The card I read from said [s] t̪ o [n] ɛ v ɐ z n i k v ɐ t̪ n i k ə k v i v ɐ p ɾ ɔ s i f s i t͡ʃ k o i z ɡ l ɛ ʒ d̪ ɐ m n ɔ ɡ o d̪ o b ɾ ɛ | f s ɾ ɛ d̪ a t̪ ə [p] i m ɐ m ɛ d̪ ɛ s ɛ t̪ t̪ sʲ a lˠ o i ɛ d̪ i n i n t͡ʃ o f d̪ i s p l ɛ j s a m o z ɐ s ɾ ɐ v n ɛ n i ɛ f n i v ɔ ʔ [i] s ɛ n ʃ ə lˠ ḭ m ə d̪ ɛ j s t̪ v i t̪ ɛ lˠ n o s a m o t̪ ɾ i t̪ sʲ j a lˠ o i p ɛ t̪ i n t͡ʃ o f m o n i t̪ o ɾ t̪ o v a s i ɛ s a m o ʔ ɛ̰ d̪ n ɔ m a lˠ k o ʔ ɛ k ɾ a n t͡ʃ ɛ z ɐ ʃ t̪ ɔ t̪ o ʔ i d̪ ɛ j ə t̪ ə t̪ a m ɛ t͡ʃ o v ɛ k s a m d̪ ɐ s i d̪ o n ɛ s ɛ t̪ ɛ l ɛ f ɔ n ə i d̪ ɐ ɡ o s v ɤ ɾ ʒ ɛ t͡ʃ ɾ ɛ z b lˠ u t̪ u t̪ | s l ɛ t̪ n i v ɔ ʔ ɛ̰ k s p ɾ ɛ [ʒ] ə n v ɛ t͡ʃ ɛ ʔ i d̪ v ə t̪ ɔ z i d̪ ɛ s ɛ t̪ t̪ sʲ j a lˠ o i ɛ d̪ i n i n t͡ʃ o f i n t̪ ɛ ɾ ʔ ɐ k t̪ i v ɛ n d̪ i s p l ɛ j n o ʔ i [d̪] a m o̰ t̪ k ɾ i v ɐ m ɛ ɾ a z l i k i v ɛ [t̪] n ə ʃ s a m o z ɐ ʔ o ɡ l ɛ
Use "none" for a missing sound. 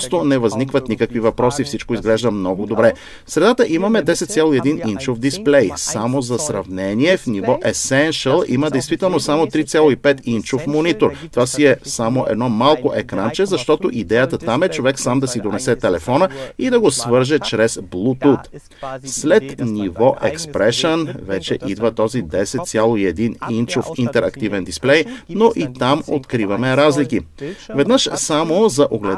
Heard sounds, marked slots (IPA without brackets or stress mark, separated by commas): s, n, ʔ, ɛ, ʃ, t̪, d̪